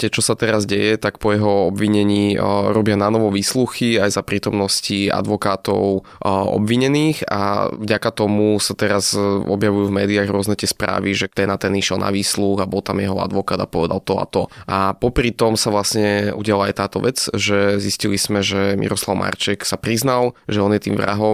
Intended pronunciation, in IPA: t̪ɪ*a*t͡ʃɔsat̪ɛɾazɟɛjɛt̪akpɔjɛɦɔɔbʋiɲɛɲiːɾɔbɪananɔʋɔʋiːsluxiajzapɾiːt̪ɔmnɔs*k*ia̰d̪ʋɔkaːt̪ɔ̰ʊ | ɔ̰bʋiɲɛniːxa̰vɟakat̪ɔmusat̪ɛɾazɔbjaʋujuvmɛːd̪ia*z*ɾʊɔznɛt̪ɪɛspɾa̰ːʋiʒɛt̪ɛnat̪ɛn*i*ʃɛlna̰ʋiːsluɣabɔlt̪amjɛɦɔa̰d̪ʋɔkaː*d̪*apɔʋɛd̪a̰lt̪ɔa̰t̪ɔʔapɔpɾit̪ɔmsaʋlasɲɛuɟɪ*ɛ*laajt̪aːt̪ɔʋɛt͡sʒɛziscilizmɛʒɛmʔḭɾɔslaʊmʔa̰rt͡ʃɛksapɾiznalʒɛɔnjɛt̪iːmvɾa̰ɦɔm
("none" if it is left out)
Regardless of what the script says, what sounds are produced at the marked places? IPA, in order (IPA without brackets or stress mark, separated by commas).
ɛ, c, ɣ, i, d̪, a